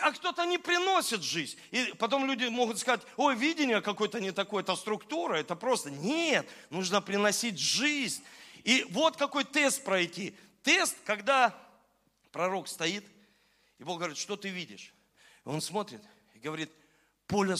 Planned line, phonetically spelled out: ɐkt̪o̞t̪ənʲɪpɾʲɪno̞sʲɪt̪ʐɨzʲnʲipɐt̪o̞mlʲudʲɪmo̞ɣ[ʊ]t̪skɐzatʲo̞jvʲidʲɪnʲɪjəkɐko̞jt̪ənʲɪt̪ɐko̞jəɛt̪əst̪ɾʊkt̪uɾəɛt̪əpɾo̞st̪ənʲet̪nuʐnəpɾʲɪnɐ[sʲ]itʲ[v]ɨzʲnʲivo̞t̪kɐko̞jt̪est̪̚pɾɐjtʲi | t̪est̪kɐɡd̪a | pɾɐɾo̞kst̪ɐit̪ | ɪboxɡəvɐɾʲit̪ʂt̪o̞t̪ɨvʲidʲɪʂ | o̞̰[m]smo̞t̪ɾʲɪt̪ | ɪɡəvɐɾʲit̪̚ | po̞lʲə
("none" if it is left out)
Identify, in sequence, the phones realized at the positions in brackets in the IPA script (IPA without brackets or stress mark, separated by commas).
ʊ, sʲ, ʐ, n